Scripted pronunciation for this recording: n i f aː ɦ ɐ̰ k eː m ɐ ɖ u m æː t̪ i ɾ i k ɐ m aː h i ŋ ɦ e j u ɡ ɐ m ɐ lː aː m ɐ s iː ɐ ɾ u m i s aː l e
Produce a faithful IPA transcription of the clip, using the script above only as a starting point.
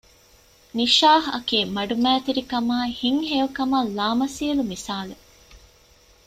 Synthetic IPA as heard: n i ʃ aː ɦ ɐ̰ k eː m ɐ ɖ u m æː t̪ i ɾ i k ɐ m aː h i ŋ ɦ e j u k ɐ m ɐ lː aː m ɐ s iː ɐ l u m i s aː l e